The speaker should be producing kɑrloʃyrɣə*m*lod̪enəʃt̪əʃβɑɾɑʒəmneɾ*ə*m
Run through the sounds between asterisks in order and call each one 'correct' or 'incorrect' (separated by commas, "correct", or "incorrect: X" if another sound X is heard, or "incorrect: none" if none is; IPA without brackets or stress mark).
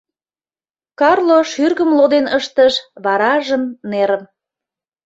correct, correct